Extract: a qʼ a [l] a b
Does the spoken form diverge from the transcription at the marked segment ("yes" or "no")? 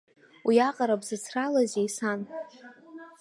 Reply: yes